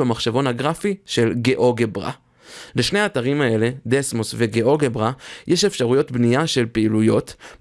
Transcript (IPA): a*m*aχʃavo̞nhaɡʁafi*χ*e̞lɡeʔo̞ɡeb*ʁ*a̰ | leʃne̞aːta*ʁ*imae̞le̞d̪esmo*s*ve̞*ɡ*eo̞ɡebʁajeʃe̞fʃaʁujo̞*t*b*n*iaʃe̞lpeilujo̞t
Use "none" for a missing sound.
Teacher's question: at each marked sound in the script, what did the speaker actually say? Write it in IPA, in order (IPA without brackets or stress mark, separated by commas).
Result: m, ʃ, ʁ, ʁ, s, ɡ, t, n